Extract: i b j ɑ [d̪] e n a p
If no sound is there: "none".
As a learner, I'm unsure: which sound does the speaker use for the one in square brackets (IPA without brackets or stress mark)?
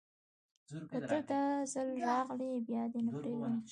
d̪